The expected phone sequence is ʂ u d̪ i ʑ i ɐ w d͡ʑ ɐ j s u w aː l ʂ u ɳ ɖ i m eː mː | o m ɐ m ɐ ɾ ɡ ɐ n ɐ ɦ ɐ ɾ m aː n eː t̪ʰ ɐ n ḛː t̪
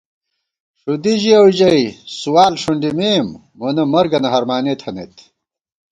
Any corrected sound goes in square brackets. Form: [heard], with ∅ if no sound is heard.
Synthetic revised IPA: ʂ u d̪ i ʑ i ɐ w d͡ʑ ɐ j s u w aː l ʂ u ɳ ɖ i m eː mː | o [n] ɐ m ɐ ɾ ɡ ɐ n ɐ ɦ ɐ ɾ m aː n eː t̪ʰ ɐ n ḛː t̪

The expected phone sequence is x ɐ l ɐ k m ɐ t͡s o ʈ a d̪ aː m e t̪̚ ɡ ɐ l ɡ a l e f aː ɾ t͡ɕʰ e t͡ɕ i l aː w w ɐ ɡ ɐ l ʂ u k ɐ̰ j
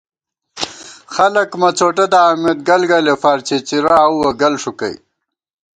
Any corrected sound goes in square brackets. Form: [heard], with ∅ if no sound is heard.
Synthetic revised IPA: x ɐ l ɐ k m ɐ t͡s o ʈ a d̪ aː m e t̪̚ ɡ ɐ l ɡ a l e f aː ɾ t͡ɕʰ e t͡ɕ i [ɾ] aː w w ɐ ɡ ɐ l ʂ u k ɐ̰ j

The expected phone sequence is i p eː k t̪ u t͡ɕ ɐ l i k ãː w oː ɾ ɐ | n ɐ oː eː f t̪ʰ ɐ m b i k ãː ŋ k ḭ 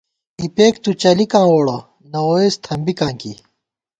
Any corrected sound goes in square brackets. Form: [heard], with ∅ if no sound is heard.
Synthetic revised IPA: i p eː k t̪ u t͡ɕ ɐ l i k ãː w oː [ɽ] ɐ | n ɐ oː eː [s] t̪ʰ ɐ m b i k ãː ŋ k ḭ

